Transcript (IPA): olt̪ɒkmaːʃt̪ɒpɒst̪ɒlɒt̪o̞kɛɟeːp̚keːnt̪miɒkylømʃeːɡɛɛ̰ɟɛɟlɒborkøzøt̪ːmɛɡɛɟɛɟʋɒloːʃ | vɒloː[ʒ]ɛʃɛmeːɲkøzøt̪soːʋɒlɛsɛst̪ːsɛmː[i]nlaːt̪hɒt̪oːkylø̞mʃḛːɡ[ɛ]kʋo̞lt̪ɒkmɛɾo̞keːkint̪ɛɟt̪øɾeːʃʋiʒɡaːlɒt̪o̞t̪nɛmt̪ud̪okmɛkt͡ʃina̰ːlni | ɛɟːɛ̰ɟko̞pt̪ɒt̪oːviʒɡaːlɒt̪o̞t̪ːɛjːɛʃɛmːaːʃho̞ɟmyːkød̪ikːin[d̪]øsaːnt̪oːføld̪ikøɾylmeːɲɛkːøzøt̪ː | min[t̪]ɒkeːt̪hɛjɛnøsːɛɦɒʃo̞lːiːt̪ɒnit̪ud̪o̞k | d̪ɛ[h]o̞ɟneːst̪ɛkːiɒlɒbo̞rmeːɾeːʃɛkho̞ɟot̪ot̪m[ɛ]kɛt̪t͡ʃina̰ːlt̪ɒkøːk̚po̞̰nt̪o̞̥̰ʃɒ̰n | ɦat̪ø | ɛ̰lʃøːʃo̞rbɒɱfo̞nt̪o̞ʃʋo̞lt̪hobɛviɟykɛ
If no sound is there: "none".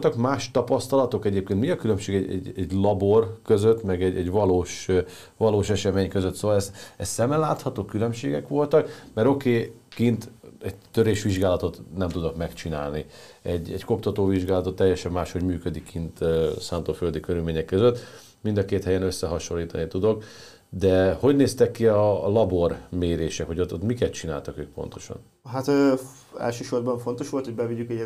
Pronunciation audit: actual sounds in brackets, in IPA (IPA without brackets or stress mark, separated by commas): ʃ, ɛ, ɛ, t̪, d̪, h, i